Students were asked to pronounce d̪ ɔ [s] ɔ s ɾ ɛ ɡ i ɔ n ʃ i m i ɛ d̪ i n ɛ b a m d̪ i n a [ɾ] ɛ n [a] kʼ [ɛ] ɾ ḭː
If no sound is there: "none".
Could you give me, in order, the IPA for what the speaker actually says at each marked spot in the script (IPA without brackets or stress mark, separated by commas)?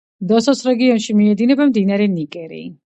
s, ɾ, i, ɛ